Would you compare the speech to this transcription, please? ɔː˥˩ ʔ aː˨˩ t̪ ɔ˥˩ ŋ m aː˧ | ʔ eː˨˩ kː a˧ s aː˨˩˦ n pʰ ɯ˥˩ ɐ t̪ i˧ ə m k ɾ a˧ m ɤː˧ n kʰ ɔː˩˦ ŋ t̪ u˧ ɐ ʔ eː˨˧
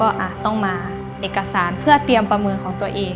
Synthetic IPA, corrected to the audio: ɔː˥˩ ʔ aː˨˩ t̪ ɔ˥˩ ŋ m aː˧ | ʔ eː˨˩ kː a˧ s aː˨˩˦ n pʰ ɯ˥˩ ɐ t̪ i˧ ə m p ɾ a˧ m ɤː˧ n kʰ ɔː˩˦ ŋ t̪ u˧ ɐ ʔ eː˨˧